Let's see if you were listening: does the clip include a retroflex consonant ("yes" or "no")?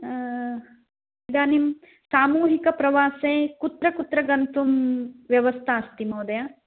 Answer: no